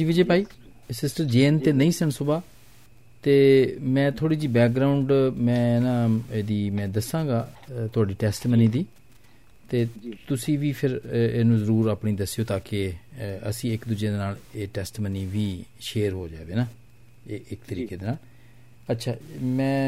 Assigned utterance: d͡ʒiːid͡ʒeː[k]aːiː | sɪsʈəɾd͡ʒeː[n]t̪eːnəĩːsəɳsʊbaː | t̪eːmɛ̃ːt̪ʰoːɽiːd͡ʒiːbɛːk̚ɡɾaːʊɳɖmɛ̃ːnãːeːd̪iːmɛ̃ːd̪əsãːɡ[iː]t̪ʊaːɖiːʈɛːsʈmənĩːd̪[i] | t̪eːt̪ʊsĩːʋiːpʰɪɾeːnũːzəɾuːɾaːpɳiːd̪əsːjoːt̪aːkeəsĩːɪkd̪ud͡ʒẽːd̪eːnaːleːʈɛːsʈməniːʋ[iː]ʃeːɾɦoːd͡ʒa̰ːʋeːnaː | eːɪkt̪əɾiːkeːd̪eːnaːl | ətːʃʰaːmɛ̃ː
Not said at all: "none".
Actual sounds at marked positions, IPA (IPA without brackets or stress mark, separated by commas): p, n, aː, iː, iː